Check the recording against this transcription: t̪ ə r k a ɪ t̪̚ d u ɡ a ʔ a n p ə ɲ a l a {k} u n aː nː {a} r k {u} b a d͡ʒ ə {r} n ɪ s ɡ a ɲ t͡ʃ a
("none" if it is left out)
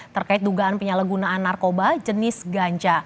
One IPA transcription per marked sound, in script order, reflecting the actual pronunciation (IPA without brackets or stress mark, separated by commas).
ɡ, a, o, none